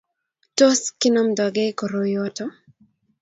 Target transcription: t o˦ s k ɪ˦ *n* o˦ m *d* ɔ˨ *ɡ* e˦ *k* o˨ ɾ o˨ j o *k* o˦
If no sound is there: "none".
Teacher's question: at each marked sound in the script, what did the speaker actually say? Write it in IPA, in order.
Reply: n, d, ɡ, k, t

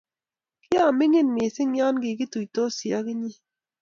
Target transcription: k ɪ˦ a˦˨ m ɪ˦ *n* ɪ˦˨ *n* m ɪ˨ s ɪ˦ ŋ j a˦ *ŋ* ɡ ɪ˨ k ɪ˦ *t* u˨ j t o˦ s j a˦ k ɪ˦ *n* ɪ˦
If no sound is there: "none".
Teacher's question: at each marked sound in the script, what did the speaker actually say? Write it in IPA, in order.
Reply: ŋ, n, n, t, ɲ

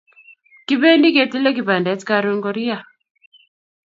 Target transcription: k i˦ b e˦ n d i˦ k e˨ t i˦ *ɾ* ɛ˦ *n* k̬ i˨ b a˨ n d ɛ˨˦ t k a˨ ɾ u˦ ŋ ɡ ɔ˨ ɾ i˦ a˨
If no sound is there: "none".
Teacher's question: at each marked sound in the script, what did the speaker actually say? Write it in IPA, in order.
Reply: l, none

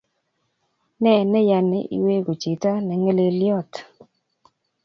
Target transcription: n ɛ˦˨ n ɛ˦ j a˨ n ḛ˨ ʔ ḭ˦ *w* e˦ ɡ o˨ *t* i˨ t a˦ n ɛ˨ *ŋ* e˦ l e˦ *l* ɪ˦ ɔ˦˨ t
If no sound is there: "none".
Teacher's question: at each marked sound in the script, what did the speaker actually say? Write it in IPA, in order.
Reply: w, t͡ʃ, ŋ, l

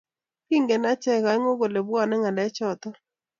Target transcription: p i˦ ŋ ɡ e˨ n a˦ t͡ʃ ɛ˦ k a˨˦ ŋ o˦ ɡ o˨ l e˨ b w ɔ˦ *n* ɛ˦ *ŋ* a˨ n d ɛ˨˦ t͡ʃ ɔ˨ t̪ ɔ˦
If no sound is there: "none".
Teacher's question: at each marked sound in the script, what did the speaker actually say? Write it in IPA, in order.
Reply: n, ŋ

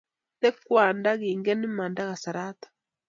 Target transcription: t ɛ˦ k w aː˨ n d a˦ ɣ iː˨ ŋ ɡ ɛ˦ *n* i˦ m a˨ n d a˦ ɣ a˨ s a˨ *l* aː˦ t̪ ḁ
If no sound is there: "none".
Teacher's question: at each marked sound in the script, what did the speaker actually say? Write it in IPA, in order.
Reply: n, ɾ

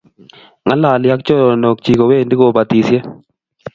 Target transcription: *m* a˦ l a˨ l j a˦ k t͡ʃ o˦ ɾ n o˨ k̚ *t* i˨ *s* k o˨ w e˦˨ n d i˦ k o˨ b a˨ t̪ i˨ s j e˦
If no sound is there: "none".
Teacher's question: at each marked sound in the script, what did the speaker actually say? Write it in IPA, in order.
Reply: ŋ, t͡ʃ, none

